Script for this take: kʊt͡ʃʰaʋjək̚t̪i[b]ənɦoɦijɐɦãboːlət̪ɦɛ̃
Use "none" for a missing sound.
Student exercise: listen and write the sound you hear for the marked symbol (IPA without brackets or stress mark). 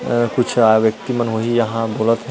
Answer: m